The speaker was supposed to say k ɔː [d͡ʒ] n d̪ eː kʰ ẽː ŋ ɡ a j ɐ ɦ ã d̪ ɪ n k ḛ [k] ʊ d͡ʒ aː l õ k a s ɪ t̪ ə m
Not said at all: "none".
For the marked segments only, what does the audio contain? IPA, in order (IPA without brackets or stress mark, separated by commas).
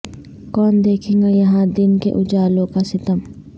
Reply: none, ʔ